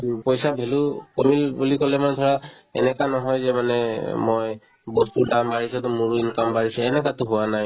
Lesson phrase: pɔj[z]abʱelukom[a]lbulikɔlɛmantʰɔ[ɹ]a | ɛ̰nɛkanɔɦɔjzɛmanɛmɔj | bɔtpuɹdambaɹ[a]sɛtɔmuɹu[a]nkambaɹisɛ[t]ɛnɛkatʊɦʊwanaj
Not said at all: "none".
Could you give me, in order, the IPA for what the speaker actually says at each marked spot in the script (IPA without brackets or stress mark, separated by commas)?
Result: s, i, ɹ, i, i, none